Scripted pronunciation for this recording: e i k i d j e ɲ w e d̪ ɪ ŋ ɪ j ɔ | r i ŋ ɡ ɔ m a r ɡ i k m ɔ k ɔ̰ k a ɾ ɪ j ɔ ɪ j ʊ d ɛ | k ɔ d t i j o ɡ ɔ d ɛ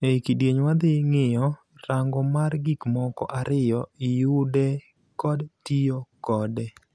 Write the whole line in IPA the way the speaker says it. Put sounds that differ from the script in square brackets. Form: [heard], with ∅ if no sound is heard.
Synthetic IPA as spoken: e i k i d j e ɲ w [a] d̪ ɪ ŋ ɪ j ɔ | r [a] ŋ ɡ ɔ m a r ɡ i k m ɔ k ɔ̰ [ʔ] a ɾ ɪ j ɔ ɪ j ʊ d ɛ | k ɔ d t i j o [k] ɔ d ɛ